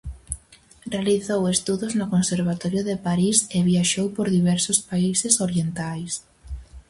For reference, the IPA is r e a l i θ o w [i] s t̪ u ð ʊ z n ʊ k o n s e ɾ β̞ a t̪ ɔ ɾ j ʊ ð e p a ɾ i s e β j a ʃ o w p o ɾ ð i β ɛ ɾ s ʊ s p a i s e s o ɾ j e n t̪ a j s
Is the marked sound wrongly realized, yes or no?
yes